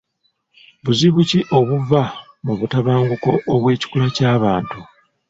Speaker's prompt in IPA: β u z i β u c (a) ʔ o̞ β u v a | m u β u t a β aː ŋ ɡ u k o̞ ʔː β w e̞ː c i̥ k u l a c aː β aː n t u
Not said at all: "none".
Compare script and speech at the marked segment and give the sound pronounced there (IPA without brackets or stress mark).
i